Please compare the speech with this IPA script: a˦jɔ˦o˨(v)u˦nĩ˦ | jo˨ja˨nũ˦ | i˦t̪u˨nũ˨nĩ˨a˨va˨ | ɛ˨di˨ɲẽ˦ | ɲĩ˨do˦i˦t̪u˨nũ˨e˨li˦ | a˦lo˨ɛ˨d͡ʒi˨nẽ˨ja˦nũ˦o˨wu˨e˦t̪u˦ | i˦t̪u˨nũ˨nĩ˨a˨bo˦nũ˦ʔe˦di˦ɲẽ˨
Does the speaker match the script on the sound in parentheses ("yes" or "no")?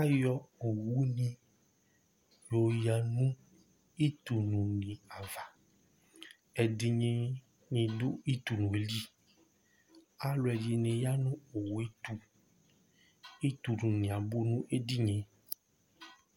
no